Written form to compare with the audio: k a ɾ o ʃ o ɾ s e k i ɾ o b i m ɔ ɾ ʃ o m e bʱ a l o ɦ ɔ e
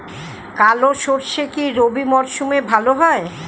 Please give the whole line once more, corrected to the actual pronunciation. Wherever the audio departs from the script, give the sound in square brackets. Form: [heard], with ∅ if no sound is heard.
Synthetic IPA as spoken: k a [l] o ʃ o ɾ [ʃ] e k i ɾ o b i m ɔ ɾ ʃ [u] m e bʱ a l o ɦ ɔ e